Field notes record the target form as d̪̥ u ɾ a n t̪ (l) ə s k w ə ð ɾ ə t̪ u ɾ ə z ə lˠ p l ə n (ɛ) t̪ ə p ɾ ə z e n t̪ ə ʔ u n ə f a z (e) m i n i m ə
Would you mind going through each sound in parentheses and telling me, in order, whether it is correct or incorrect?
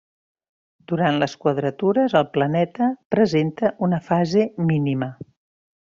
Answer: correct, correct, correct

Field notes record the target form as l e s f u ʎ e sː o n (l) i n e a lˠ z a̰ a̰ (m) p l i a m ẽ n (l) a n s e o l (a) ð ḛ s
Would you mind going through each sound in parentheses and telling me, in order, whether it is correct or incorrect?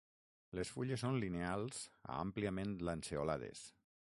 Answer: correct, correct, correct, correct

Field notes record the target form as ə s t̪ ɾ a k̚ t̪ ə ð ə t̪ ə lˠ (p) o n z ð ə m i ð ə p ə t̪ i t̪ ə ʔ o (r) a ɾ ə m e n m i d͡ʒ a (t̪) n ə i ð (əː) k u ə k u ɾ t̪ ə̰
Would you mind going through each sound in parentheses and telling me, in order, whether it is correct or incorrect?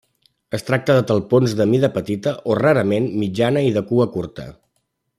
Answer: correct, correct, incorrect: none, incorrect: ə

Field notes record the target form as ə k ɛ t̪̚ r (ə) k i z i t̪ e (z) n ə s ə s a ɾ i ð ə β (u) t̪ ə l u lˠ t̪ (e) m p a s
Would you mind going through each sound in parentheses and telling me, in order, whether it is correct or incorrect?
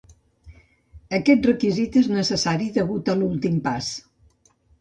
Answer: correct, correct, correct, incorrect: i

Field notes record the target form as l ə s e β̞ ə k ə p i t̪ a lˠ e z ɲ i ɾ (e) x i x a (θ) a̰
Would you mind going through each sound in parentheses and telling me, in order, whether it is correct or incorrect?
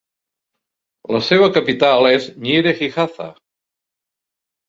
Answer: correct, correct

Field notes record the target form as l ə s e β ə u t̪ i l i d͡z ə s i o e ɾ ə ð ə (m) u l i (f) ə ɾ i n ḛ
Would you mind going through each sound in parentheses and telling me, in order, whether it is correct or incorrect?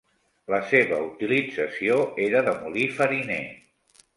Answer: correct, correct

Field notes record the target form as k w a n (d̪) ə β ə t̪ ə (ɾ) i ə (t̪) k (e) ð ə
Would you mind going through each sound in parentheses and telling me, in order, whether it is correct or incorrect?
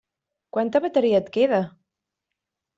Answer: incorrect: t̪, correct, correct, correct

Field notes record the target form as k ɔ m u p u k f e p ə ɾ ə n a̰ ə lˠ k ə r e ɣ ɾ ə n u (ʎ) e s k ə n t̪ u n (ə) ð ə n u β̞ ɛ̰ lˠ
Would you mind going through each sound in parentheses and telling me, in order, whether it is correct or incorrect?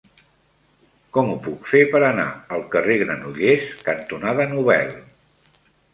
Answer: correct, incorrect: a

